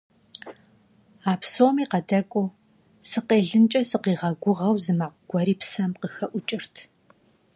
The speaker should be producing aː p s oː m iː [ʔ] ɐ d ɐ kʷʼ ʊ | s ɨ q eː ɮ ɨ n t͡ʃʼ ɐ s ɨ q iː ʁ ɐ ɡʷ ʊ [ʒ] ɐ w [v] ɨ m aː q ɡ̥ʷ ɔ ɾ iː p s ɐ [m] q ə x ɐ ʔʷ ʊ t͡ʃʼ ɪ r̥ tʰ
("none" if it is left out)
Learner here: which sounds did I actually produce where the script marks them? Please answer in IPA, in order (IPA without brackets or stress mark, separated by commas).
q, ʁ, z, m